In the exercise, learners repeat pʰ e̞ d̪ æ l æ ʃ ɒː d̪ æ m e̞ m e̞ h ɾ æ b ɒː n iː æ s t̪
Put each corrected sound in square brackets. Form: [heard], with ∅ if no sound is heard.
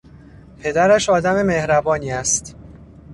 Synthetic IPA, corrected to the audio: pʰ e̞ d̪ æ [ɾ] æ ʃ ɒː d̪ æ m e̞ m e̞ h ɾ æ b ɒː n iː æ s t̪

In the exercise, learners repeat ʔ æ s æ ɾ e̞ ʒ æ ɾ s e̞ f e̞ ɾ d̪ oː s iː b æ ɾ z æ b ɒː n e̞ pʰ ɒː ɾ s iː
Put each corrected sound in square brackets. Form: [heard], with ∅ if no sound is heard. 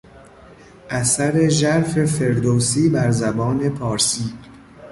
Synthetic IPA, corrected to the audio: ʔ æ s æ ɾ e̞ ʒ æ ɾ [f] e̞ f e̞ ɾ d̪ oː s iː b æ ɾ z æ b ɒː n e̞ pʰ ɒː ɾ s iː

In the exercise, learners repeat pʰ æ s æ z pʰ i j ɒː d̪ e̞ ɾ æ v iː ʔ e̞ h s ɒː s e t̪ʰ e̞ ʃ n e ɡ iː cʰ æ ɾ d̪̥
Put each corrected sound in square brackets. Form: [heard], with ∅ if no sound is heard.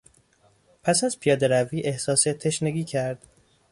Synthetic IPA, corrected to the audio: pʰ æ s æ z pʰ i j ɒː d̪ e̞ ɾ æ v iː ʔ e̞ h s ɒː s e t̪ʰ e̞ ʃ n e ɡ iː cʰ æ ɾ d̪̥

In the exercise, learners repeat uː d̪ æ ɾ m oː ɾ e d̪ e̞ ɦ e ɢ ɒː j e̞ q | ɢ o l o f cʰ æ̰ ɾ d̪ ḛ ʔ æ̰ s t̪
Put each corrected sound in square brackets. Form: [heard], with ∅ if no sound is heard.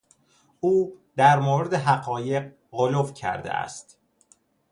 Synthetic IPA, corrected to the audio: uː d̪ æ ɾ m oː ɾ e d̪ e̞ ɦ [æ] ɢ ɒː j e̞ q | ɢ o l o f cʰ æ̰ ɾ d̪ ḛ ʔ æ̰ s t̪

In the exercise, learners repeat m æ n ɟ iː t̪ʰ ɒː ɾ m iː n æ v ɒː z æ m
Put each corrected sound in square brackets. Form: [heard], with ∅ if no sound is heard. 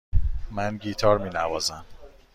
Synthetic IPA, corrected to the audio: m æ n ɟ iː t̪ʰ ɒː ɾ m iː n æ v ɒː z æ m

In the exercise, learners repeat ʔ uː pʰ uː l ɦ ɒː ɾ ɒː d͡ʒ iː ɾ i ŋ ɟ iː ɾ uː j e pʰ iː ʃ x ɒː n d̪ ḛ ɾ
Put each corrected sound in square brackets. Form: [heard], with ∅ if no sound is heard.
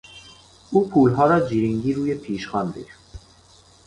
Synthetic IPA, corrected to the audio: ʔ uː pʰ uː l ɦ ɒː ɾ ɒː d͡ʒ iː ɾ i ŋ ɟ iː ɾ uː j e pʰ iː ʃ x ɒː n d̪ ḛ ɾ

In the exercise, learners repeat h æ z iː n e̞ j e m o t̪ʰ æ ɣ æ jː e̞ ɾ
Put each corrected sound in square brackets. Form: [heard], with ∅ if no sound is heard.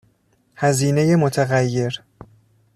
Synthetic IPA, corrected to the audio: h æ z iː n e̞ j e m o t̪ʰ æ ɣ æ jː e̞ ɾ

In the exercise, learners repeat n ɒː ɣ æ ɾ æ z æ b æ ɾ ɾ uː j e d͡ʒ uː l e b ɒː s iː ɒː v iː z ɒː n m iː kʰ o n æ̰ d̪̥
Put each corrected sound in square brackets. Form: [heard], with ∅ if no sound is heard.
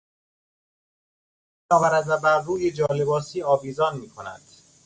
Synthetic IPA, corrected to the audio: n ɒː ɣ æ ɾ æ z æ b æ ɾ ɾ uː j e d͡ʒ [ɒː] l e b ɒː s iː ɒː v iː z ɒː n m iː kʰ o n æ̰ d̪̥

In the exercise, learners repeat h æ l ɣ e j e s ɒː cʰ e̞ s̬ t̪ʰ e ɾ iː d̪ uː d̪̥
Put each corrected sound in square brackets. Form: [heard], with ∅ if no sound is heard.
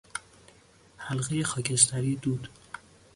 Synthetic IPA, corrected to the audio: h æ l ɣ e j e [x] ɒː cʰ e̞ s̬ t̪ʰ [æ] ɾ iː d̪ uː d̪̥

